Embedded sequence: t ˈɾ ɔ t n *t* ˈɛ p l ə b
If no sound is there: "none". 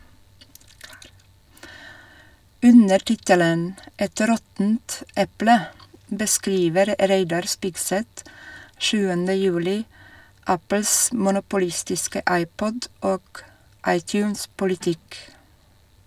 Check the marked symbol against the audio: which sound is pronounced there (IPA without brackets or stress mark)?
t